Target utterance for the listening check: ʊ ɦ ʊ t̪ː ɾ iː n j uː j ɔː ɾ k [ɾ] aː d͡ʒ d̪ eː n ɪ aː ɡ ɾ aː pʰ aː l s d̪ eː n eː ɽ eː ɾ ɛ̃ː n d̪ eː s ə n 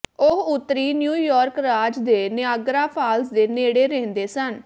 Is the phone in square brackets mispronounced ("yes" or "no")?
no